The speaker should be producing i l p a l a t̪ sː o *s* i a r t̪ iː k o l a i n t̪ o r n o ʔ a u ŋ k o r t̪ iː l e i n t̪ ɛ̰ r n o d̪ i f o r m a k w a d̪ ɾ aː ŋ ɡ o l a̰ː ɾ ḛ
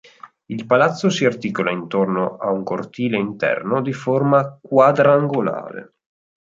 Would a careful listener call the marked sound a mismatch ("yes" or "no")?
no